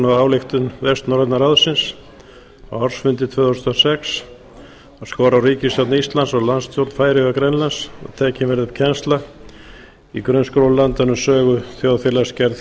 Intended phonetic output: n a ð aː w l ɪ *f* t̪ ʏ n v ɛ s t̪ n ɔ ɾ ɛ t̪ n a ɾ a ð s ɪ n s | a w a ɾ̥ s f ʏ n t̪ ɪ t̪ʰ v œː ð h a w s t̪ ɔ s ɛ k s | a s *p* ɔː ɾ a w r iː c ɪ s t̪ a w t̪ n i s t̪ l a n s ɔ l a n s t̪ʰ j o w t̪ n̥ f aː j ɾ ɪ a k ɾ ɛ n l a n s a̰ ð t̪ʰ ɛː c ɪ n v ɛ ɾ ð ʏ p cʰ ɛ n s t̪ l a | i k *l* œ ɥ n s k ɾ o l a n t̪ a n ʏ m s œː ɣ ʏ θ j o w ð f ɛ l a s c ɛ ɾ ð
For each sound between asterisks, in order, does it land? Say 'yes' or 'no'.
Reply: no, no, no

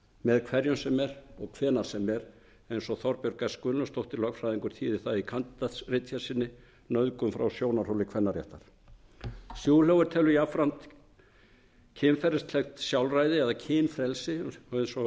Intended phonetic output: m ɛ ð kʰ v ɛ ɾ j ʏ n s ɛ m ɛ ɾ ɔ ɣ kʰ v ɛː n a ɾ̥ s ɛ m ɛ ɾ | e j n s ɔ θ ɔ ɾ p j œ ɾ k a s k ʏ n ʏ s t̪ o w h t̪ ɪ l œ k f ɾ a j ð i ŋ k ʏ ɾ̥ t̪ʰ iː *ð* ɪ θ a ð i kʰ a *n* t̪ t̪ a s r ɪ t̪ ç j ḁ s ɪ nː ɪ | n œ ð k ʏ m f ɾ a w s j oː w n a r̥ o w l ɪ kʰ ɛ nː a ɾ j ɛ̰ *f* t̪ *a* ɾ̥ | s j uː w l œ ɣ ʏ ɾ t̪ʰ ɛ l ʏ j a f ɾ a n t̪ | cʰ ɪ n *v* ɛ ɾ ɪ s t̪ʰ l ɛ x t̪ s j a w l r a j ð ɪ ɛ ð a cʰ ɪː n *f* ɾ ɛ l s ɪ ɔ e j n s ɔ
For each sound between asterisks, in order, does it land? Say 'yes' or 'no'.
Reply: yes, yes, no, yes, no, yes

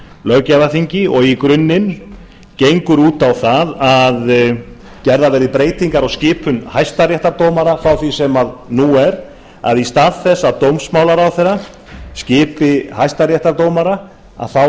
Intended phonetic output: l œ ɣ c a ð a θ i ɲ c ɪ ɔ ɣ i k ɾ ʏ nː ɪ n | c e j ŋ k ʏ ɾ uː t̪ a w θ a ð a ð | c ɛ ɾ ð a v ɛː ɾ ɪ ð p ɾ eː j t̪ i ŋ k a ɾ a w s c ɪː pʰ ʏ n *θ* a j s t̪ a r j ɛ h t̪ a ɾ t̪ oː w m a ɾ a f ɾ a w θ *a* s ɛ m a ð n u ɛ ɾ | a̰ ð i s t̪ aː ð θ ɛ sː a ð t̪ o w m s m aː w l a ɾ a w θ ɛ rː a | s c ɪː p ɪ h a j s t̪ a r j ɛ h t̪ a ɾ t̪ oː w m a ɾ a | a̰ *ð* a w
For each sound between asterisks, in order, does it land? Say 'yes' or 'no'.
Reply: no, no, no

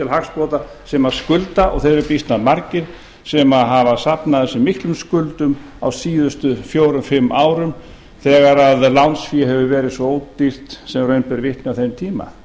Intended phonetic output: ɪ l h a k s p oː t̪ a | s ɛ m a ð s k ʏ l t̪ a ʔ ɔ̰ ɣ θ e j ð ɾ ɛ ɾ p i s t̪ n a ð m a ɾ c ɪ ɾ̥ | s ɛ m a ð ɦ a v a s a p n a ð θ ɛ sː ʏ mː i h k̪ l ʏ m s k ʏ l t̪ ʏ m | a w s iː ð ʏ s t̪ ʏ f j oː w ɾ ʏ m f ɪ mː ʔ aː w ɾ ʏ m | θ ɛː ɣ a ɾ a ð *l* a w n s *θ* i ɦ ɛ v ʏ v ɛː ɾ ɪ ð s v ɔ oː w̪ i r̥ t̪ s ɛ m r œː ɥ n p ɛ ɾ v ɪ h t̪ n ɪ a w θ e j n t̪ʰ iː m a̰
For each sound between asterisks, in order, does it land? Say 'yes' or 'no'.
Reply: yes, no

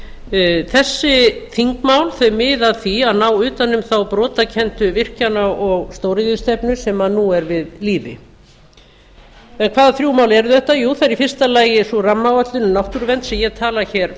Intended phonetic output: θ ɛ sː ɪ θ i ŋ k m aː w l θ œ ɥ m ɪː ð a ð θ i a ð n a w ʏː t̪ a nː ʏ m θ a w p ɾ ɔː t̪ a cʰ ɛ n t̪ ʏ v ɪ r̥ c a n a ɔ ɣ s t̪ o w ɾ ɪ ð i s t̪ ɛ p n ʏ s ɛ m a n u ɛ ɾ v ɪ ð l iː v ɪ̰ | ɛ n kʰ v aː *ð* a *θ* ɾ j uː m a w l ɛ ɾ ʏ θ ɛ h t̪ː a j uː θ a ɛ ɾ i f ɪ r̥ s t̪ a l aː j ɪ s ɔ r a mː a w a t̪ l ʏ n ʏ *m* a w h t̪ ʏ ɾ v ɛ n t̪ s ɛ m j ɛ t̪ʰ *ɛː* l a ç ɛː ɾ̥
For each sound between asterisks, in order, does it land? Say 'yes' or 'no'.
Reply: yes, yes, no, no

